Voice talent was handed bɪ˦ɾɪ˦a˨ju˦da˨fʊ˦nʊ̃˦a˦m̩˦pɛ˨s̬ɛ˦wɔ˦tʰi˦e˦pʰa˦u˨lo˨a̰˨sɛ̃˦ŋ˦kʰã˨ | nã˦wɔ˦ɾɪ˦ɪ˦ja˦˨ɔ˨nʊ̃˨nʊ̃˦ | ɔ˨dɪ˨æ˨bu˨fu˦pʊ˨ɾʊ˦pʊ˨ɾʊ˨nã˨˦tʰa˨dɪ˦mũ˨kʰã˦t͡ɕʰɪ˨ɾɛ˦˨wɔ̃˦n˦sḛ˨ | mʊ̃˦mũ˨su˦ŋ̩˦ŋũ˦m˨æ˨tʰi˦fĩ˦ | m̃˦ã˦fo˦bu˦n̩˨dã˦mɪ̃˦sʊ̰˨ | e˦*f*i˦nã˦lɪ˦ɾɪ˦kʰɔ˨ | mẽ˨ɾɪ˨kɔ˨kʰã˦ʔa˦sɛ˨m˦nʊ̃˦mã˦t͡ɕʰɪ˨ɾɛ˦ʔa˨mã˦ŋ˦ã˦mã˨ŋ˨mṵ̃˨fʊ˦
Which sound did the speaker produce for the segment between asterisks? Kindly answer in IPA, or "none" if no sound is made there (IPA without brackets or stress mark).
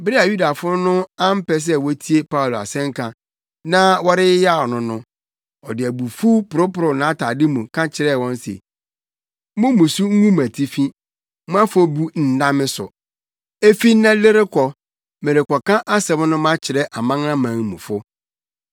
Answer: f